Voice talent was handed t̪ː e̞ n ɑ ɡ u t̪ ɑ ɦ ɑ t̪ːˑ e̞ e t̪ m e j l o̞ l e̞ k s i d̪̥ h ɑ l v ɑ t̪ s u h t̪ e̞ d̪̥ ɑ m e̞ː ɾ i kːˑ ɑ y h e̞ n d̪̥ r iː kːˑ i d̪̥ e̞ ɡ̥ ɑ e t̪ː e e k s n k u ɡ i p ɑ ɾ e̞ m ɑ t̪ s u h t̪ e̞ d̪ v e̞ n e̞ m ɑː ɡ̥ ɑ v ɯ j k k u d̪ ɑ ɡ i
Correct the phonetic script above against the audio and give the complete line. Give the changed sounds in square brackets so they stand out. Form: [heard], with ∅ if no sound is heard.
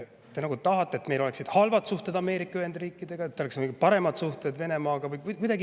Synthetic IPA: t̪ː e̞ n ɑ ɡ u t̪ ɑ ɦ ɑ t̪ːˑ e̞ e t̪ m e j l o̞ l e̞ k s i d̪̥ h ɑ l v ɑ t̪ s u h t̪ e̞ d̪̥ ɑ m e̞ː ɾ i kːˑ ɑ y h e̞ n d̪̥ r iː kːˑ i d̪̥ e̞ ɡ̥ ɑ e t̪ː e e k s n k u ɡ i p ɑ ɾ e̞ m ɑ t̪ s u h t̪ e̞ d̪ v e̞ n e̞ m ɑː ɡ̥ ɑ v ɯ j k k u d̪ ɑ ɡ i